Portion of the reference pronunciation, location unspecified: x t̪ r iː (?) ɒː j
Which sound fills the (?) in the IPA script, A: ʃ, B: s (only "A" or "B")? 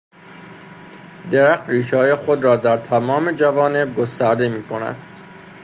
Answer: A